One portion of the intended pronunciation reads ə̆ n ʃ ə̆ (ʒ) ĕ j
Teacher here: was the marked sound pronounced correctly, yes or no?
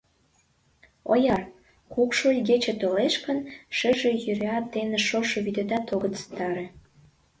yes